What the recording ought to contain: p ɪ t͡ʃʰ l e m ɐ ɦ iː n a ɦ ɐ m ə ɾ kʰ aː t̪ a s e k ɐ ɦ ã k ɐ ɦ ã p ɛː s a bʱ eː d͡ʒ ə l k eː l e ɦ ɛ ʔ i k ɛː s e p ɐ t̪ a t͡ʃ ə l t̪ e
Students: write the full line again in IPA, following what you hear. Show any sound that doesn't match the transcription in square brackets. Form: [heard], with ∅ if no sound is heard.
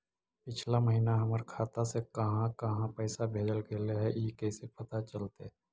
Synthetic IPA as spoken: p ɪ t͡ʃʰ l [a] m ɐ ɦ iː n a ɦ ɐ m ə ɾ kʰ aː t̪ a s e k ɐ ɦ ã k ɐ ɦ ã p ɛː s a bʱ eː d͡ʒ ə l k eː l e ɦ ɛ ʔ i k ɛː s e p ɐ t̪ a t͡ʃ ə l t̪ e